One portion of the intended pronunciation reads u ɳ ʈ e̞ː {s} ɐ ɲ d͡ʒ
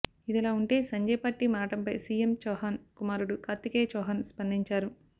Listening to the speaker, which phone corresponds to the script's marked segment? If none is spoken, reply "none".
s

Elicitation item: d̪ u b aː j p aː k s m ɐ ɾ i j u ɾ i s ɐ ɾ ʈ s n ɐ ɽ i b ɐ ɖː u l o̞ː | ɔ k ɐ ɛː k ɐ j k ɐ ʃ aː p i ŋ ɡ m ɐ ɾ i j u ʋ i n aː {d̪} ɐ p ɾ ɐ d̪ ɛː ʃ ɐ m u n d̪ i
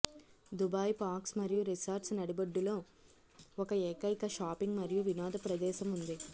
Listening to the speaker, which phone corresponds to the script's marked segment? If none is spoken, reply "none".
d̪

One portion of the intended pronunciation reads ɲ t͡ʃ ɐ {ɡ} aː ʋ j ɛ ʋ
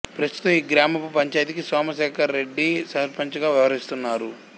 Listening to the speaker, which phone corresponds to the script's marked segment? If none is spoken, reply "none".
ɡ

